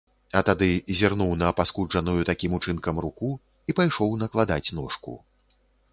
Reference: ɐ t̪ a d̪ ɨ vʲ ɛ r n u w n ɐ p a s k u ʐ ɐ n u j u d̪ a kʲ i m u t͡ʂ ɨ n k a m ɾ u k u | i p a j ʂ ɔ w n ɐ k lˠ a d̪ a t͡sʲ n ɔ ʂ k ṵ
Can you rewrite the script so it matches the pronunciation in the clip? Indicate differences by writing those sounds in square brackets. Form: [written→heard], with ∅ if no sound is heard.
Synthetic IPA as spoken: ɐ t̪ a d̪ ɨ [vʲ→zʲ] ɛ r n u w n ɐ p a s k u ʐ ɐ n u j u [d̪→t̪] a kʲ i m u t͡ʂ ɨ n k [a→ɐ] m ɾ u k u | i p a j ʂ ɔ w n ɐ k lˠ a d̪ a t͡sʲ n ɔ ʂ k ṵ